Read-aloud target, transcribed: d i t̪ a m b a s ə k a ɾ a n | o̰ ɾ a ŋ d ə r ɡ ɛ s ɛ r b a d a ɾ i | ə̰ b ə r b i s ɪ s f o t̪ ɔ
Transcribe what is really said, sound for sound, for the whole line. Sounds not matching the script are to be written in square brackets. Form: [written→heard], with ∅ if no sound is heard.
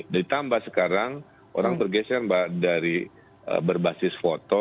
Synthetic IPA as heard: d i t̪ a m b a s ə k a ɾ a [n→ŋ] | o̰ ɾ a ŋ [d→b] ə r ɡ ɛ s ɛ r b a d a ɾ i | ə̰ b ə r b [i→a] s ɪ s f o t̪ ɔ

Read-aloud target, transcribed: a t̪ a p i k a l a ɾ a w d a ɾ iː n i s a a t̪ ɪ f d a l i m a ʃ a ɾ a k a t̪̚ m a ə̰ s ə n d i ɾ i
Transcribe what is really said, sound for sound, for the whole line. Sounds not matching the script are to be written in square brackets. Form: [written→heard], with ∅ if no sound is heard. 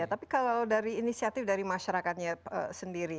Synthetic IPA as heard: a t̪ a p i k a l a [ɾ→l] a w d a ɾ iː n i s [a→i] a t̪ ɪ f d a [l→ɾ] i m a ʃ a ɾ a k a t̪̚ [m→ɲ] a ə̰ s ə n d i ɾ i

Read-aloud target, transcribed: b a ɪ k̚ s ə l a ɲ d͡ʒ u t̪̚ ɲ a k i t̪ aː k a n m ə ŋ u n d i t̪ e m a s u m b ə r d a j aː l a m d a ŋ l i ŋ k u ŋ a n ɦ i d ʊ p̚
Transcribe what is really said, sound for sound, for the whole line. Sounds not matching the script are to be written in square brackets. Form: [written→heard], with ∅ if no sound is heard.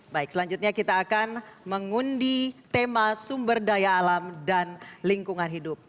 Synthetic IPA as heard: b a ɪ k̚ s ə l a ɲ d͡ʒ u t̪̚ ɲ a k i t̪ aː k a n m ə ŋ u n d i t̪ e m a s u m b ə r d a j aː l a m d a [ŋ→n] l i ŋ k u ŋ a n ɦ i d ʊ p̚

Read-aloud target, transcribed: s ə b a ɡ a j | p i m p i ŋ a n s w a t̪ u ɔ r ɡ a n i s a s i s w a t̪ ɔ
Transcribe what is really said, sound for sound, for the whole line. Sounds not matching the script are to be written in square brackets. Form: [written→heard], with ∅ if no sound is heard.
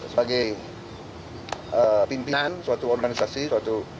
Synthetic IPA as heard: s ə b a ɡ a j | p i m p i [ŋ→n] a n s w a t̪ u ɔ r ɡ a n i s a s i s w a t̪ [ɔ→u]

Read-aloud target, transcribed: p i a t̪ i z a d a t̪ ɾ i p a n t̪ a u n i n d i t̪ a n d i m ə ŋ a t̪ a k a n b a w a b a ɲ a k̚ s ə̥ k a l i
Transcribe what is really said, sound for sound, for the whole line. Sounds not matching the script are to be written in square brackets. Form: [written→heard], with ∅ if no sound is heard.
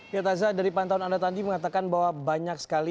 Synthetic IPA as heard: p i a t̪ [i→a] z a d a [t̪→∅] ɾ i p a n t̪ a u n [i→a] n d [i→a] t̪ a n d i m ə ŋ a t̪ a k a n b a w a b a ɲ a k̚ s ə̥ k a l i

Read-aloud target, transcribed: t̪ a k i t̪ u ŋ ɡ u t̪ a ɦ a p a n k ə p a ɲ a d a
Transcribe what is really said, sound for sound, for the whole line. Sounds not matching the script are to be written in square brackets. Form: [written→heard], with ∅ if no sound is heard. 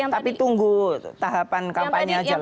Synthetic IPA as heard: t̪ a [k→p] i t̪ u ŋ ɡ u t̪ a ɦ a p a n k [ə→a] p a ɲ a [d→d͡ʒ] a

